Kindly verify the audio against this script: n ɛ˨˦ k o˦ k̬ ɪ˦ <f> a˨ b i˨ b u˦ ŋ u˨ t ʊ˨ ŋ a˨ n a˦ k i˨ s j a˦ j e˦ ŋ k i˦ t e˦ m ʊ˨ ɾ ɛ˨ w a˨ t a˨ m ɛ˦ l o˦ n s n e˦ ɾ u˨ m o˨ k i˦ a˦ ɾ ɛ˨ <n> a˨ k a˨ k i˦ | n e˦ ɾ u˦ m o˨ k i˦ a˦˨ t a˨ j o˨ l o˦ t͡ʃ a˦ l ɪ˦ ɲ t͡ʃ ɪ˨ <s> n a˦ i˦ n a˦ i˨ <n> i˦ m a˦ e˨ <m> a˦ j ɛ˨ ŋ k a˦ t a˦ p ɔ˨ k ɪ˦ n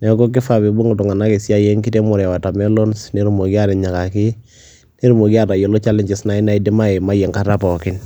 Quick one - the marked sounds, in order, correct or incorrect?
correct, incorrect: ɲ, correct, incorrect: d, correct

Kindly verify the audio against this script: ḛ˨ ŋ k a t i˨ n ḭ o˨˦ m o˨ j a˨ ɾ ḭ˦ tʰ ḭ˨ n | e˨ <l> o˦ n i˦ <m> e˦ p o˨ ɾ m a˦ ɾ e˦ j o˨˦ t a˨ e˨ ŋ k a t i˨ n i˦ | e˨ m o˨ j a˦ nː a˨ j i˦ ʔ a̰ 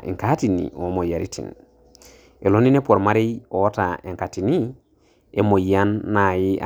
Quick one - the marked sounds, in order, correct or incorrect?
correct, incorrect: n

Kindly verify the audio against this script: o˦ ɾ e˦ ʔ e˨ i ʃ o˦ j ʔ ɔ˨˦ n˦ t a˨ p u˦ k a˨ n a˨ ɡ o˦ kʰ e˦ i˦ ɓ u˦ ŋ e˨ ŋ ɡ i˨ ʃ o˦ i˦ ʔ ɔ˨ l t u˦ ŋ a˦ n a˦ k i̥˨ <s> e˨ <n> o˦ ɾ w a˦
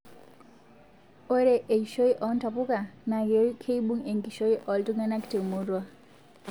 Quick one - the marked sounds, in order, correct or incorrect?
incorrect: t, incorrect: m

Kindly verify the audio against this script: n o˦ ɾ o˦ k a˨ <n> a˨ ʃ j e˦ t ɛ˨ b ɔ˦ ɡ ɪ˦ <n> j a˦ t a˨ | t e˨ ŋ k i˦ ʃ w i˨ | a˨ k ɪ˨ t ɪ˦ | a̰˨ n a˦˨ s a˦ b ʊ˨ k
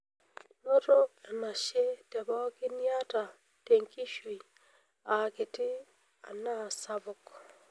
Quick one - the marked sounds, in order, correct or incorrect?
correct, correct

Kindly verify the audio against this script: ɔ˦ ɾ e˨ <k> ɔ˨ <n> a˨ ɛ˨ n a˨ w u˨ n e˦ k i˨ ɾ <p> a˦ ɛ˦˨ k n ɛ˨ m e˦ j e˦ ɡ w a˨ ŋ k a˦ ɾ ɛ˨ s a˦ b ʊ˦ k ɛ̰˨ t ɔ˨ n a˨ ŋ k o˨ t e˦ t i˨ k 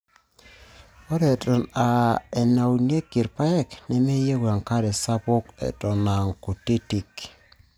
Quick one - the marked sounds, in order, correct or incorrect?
incorrect: t, correct, correct

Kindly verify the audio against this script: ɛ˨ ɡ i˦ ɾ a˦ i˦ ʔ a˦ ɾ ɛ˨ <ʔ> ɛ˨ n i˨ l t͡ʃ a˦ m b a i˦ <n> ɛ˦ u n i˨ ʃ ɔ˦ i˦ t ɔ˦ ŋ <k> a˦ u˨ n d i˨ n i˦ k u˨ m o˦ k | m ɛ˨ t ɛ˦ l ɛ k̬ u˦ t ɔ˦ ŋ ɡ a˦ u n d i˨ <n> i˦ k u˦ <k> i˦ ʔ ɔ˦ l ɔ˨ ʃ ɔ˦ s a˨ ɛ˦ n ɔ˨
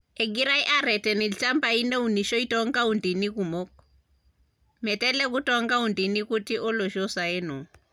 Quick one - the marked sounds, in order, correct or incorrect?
incorrect: t, correct, incorrect: ɡ, correct, incorrect: t

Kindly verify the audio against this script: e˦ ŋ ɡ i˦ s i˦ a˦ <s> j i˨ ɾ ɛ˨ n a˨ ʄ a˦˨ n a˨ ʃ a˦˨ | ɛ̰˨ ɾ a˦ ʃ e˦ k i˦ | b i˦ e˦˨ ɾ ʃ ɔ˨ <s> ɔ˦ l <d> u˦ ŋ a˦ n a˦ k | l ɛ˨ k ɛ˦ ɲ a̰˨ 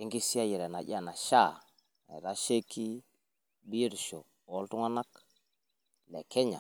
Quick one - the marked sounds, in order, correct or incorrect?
incorrect: none, incorrect: none, incorrect: t

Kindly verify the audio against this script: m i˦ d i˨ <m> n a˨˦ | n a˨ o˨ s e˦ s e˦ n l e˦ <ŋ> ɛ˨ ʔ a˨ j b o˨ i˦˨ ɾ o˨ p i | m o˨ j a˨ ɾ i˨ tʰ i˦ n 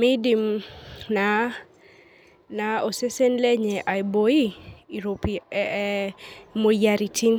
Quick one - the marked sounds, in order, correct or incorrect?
correct, incorrect: ɲ

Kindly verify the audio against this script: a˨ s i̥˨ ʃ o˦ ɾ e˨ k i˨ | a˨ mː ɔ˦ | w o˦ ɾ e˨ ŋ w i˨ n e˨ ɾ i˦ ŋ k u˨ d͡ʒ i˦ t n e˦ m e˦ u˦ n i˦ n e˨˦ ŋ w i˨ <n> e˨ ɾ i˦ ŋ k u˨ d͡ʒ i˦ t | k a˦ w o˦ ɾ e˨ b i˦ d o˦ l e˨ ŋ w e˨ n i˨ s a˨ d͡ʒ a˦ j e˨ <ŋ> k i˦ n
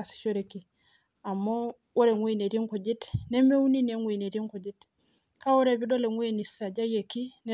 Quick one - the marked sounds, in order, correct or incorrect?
correct, incorrect: none

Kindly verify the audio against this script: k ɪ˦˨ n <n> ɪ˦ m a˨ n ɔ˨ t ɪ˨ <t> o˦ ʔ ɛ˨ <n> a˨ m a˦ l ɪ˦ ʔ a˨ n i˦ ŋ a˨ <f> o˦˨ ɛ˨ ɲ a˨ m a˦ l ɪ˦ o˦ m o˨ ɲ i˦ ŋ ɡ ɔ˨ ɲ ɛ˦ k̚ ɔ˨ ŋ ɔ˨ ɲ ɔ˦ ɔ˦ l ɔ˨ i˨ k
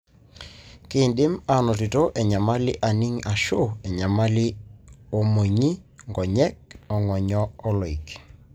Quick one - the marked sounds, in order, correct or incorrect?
incorrect: d, correct, incorrect: ɲ, incorrect: ʃ

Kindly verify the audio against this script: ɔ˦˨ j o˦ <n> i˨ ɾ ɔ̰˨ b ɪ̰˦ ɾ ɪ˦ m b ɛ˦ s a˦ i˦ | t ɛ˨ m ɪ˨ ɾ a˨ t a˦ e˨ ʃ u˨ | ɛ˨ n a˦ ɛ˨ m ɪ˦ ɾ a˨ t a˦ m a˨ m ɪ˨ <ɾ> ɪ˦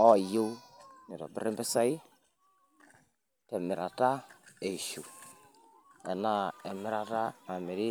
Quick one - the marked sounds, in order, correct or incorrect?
correct, correct

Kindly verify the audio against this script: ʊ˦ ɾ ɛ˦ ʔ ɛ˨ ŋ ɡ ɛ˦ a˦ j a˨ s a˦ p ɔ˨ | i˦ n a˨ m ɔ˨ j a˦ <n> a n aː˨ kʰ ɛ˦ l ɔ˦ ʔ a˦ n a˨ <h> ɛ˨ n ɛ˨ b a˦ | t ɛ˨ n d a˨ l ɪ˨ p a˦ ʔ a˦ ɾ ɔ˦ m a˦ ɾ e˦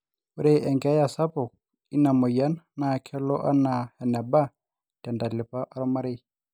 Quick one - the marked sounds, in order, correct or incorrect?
correct, correct

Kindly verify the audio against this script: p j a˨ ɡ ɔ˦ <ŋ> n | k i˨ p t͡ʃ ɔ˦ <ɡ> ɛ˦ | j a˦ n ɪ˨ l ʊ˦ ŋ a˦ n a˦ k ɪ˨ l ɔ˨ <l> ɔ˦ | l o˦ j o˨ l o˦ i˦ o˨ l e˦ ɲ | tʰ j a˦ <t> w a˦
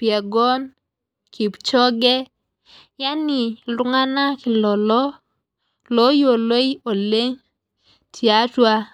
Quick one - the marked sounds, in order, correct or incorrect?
incorrect: none, correct, correct, correct

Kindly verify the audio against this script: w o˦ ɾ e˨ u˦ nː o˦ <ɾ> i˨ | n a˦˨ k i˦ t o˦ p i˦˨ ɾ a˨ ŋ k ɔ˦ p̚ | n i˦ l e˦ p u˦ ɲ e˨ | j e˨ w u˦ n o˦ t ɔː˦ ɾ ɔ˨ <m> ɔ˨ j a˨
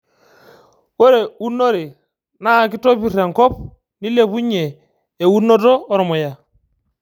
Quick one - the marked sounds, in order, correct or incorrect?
correct, correct

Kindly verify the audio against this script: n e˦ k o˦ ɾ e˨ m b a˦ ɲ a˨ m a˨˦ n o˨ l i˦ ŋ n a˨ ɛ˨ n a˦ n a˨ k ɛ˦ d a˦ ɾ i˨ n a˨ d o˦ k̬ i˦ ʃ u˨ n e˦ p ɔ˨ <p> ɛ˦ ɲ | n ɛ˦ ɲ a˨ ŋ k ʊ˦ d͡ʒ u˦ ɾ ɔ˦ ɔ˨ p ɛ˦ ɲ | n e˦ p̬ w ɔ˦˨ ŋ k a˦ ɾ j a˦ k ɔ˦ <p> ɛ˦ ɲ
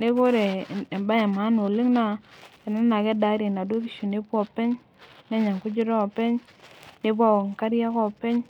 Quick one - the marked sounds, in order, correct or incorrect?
correct, correct

